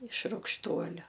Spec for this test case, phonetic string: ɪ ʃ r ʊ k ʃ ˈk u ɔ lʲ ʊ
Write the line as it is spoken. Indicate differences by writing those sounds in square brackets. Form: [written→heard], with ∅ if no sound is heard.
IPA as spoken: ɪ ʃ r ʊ k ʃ [ˈk→ˈt] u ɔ lʲ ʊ